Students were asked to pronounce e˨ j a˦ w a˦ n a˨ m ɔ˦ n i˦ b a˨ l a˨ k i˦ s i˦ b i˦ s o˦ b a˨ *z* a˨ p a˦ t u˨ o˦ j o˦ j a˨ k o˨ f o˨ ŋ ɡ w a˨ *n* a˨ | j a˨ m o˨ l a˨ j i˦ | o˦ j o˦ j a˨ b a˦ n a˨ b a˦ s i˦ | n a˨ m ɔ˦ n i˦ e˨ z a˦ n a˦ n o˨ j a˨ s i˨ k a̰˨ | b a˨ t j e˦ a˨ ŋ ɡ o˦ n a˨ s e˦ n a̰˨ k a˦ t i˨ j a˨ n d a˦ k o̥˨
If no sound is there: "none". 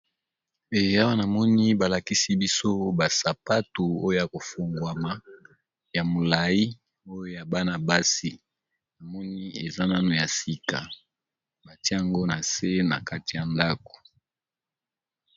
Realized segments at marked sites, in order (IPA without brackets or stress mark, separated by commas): s, m